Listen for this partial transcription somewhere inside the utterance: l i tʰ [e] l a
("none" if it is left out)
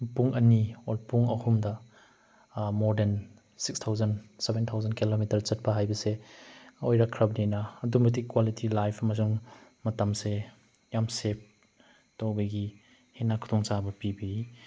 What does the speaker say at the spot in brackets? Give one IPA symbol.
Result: i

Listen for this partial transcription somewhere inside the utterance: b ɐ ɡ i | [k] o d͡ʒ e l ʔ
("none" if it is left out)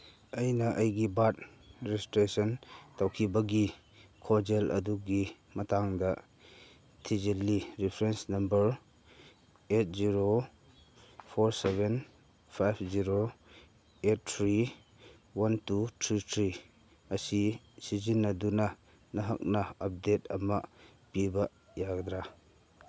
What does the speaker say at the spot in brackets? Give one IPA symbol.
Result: kʰ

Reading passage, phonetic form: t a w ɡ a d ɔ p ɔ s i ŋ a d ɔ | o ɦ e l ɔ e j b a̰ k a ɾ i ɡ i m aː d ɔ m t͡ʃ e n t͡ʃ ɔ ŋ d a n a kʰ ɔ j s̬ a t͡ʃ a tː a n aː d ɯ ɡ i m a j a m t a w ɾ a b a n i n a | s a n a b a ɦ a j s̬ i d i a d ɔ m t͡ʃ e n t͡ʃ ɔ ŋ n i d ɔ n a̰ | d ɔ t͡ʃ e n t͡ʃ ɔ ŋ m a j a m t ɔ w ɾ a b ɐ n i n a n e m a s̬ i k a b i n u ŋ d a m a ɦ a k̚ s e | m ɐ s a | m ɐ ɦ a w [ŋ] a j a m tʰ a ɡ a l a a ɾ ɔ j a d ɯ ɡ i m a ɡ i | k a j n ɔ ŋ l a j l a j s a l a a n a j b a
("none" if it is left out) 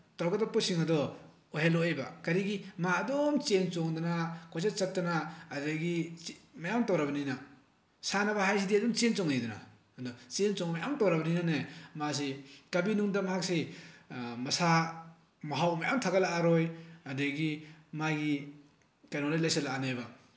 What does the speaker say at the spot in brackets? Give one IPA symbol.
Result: m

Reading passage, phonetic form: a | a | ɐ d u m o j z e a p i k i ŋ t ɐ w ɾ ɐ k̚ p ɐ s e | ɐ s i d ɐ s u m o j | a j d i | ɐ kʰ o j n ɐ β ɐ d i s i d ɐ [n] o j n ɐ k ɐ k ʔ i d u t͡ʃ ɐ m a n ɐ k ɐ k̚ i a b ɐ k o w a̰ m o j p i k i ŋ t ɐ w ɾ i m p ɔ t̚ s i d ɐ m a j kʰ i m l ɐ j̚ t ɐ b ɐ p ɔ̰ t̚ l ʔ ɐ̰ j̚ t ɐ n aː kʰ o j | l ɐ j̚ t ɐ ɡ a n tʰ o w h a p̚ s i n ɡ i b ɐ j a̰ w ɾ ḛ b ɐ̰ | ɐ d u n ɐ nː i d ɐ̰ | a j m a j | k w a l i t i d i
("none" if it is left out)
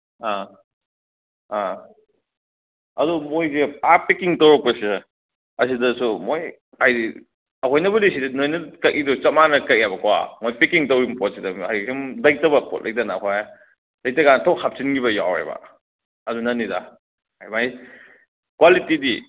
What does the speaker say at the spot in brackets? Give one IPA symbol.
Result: n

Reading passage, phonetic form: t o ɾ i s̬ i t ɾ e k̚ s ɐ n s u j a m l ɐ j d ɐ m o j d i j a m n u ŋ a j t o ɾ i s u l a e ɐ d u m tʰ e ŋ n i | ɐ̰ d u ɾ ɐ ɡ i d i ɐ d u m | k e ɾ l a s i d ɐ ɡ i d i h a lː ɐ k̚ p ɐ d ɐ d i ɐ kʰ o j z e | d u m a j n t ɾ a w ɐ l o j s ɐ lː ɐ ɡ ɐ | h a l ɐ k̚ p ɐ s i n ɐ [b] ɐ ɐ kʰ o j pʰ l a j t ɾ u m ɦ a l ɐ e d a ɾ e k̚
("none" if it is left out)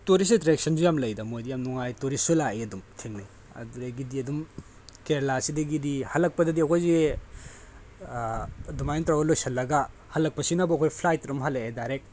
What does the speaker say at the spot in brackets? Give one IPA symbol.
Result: b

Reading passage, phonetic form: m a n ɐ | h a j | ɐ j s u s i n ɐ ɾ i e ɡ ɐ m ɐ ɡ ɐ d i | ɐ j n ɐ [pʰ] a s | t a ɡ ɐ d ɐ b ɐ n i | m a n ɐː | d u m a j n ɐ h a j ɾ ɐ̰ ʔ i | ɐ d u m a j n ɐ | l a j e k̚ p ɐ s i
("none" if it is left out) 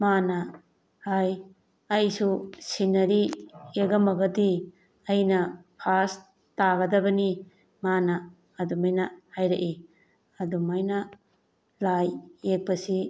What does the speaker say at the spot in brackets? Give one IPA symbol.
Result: pʰ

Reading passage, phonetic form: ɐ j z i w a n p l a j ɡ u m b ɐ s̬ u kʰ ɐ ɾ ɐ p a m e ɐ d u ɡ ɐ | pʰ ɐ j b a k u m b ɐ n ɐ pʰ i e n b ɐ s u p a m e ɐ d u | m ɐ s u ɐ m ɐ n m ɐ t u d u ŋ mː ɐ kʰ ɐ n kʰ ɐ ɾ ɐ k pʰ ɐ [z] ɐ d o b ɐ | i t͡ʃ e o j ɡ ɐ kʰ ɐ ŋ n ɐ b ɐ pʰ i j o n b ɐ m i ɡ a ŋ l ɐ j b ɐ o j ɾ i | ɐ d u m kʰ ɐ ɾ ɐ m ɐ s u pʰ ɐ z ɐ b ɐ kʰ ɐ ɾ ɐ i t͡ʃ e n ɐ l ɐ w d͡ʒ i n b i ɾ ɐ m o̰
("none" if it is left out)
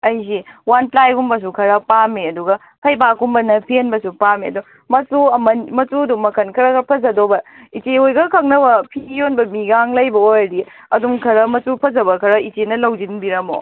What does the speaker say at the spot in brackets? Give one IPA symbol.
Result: z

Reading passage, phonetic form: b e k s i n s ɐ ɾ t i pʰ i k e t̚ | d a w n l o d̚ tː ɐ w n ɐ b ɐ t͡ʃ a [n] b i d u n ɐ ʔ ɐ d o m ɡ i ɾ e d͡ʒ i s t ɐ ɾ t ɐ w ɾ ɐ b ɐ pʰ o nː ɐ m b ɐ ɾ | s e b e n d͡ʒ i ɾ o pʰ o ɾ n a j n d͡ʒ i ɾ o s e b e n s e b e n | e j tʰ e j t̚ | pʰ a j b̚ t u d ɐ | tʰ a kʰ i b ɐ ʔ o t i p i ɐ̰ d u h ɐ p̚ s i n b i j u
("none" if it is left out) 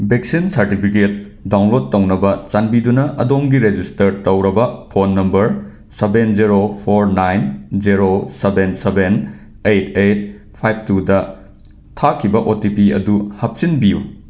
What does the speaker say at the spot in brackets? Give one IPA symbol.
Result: n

